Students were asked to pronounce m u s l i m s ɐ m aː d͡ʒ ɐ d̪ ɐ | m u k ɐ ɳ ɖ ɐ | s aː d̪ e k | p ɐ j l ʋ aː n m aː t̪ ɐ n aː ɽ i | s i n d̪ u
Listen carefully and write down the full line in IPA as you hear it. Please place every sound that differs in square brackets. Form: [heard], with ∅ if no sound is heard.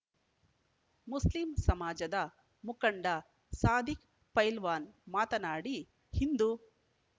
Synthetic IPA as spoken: m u s l i m s ɐ m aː d͡ʒ ɐ d̪ ɐ | m u k ɐ ɳ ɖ ɐ | s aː d̪ [i] k | p ɐ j l ʋ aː n m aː t̪ ɐ n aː ɽ i | [h] i n d̪ u